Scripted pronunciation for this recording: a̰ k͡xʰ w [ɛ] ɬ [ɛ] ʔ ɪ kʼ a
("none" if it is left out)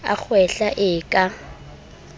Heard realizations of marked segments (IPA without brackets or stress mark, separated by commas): ɛ, a